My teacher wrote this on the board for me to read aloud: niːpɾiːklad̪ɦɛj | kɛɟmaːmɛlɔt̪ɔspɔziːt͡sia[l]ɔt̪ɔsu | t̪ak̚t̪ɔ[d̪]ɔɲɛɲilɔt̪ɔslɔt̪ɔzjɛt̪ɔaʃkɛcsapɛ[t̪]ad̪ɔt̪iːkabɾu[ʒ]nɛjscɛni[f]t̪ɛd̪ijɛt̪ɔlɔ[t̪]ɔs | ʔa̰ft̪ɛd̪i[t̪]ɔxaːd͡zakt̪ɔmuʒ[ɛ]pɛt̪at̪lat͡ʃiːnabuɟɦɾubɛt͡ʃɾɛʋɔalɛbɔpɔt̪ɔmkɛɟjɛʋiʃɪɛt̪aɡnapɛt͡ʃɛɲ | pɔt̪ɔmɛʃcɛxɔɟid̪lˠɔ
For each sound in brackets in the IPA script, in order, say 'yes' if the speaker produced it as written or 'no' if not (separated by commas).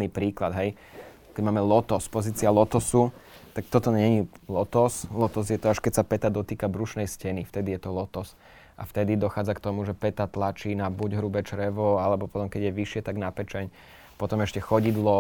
yes, no, yes, no, yes, yes, no, yes